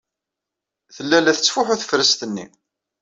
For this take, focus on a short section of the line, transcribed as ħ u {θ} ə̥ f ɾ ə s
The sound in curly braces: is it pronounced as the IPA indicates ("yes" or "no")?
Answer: yes